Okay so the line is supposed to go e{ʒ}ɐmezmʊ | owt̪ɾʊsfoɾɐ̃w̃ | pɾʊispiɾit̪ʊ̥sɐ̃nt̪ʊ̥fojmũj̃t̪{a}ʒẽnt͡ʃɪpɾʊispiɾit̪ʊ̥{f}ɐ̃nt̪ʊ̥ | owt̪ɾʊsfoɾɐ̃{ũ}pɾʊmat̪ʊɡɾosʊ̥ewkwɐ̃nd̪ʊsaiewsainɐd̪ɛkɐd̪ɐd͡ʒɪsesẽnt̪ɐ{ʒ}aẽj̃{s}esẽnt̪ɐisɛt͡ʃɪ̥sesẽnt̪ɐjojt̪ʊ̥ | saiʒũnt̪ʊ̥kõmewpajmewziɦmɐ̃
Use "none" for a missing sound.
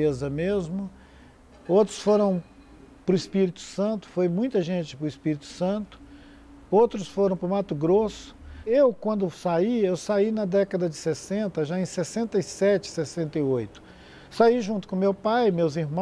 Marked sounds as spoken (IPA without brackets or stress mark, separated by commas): z, ɐ, s, w̃, ʒ, s